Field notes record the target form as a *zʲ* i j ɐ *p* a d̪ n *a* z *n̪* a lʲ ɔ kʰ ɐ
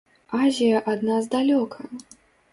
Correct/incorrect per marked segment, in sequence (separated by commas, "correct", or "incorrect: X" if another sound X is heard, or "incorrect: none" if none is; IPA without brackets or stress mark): correct, incorrect: ʔ, correct, incorrect: d̪